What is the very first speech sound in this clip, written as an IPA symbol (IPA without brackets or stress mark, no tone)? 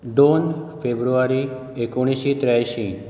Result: d̪